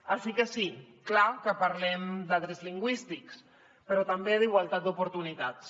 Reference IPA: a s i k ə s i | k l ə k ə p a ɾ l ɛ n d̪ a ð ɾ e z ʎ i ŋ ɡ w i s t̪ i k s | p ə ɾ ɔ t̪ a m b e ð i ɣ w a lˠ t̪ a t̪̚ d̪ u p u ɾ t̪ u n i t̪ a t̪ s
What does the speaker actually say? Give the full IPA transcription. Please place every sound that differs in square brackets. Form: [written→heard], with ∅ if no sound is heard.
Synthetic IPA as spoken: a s i k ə s i | k l [ə→a] k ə p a ɾ l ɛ [n→m] d̪ a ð ɾ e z [ʎ→l] i ŋ ɡ w i s t̪ i k s | p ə ɾ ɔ t̪ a m b e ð i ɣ w a lˠ t̪ a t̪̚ d̪ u p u ɾ t̪ u n i t̪ a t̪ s

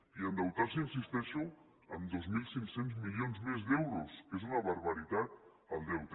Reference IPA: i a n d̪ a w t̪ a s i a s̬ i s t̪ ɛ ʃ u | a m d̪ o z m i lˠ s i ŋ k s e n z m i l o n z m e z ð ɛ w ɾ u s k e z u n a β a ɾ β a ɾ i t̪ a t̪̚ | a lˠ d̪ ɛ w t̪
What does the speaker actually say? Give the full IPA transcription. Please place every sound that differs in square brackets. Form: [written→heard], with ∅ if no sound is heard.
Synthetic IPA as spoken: i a n d̪ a w t̪ a s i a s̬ i s t̪ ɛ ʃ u | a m d̪ o z m i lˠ s i ŋ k s e n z m i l o n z m e z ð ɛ w ɾ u s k e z u n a β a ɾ β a ɾ i t̪ a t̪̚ | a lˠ d̪ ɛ w t̪

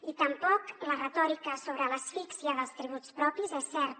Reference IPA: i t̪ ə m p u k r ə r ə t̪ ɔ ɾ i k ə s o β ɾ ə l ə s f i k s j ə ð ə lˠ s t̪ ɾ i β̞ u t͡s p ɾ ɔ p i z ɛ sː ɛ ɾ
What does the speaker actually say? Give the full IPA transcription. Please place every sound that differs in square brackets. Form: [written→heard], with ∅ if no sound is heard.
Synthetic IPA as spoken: i t̪ ə m p [u→ɔ] k [r→l] ə r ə t̪ ɔ ɾ i k ə s o β ɾ ə l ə s f i k s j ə ð ə lˠ s t̪ ɾ i β̞ u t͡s p ɾ ɔ p i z ɛ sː ɛ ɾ

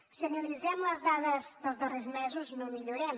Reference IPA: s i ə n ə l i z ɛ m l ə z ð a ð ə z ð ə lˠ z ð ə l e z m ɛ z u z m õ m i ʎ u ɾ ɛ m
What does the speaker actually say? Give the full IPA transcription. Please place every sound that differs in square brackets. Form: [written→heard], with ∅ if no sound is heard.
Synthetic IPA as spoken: s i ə n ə l i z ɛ m l ə z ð a ð ə z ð ə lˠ z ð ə [l→r] e z m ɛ z u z [m→n] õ m i ʎ u ɾ ɛ m

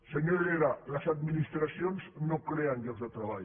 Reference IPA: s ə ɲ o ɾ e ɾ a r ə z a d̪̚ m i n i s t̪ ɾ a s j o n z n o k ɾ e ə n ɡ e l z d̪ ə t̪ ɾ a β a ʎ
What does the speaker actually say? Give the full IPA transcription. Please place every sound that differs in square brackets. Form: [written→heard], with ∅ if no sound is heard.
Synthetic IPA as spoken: s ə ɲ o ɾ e ɾ a [r→l] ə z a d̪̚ m i n i s t̪ ɾ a s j o n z n o k ɾ e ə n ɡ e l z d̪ ə t̪ ɾ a β a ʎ

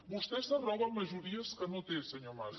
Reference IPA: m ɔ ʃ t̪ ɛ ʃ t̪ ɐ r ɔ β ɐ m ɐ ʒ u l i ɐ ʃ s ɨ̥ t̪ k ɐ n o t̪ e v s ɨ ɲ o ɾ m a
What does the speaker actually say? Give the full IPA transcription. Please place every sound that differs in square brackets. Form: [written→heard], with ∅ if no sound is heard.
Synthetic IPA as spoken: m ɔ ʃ t̪ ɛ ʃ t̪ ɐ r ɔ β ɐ m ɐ ʒ u [l→ɾ] i ɐ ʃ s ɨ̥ [t̪→∅] k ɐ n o t̪ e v s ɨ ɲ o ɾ m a

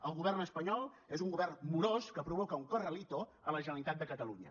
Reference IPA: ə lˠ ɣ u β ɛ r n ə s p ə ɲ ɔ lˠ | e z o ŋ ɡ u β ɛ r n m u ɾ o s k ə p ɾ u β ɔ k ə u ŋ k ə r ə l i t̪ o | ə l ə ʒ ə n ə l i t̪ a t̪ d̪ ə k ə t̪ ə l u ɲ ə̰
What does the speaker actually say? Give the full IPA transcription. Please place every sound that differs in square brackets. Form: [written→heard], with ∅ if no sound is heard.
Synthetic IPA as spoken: ə lˠ ɣ u β ɛ r n ə s p ə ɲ ɔ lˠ | e z [o→u] ŋ ɡ u β ɛ r n m u ɾ o s k ə p ɾ u β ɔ k ə u ŋ k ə r ə l i t̪ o | ə l ə ʒ ə n ə l i t̪ a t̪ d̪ ə k ə t̪ ə l u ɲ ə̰

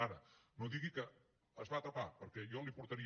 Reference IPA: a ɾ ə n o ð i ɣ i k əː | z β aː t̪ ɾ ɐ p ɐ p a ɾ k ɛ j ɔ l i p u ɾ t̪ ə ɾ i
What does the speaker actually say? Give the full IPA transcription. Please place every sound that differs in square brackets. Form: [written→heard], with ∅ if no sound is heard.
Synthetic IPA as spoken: a ɾ ə n o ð i ɣ i k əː | z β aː t̪ ɾ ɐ p [ɐ→a] p [a→ə] ɾ k ɛ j ɔ l i p u ɾ t̪ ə ɾ i

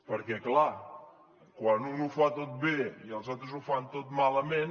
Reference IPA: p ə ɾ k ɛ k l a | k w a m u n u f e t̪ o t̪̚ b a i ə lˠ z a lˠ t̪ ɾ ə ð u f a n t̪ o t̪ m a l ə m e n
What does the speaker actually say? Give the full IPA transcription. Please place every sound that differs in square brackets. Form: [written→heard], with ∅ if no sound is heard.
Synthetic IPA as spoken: p ə ɾ k ɛ k l a | k w a [m→n] u n u f [e→a] t̪ o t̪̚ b [a→e] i ə lˠ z a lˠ t̪ ɾ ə [ð→z] u f a n t̪ o t̪ m a l ə m e n

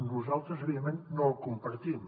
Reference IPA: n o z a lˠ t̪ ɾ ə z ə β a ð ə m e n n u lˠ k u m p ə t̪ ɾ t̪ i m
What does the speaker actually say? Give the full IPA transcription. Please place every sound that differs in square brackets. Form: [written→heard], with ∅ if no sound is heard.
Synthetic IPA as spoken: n [o→u] z a lˠ t̪ ɾ ə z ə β [a→i] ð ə m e n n [u→o] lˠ k u m p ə [t̪→∅] ɾ t̪ i m

